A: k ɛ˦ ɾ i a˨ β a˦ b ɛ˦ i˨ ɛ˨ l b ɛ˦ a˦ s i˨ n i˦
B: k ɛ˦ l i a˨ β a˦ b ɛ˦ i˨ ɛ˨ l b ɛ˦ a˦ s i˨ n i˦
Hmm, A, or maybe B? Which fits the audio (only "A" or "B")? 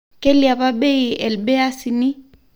B